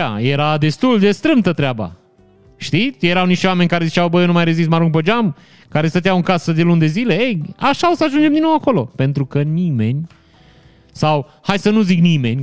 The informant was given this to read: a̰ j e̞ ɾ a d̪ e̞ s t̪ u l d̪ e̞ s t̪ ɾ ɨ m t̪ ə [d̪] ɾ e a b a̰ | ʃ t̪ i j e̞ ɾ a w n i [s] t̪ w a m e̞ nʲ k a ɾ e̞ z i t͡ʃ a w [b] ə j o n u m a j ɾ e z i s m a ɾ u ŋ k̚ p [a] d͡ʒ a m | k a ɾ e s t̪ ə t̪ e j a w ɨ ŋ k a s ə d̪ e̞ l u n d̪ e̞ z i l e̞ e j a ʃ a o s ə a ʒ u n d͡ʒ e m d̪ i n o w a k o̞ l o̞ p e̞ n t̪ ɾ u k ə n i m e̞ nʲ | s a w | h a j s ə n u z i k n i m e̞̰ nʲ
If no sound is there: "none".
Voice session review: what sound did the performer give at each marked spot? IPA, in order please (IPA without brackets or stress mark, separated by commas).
t̪, ʃ, b, ə